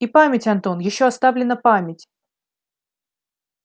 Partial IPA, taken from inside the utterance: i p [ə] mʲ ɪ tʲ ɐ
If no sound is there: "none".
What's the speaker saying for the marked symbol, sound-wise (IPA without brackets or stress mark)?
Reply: a